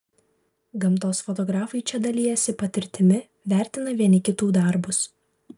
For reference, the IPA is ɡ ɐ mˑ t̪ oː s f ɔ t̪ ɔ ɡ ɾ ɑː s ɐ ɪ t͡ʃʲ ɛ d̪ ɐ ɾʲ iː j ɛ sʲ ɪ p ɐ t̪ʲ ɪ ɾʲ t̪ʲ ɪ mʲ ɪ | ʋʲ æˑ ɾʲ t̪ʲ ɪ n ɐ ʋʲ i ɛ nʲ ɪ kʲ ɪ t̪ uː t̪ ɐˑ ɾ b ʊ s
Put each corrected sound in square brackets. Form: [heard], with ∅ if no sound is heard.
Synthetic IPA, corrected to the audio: ɡ ɐ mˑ t̪ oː s f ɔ t̪ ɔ ɡ ɾ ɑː [f] ɐ ɪ t͡ʃʲ ɛ d̪ ɐ [lʲ] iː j ɛ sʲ ɪ p ɐ t̪ʲ ɪ ɾʲ t̪ʲ ɪ mʲ ɪ | ʋʲ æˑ ɾʲ t̪ʲ ɪ n ɐ ʋʲ i ɛ nʲ ɪ kʲ ɪ t̪ uː [d̪] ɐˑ ɾ b ʊ s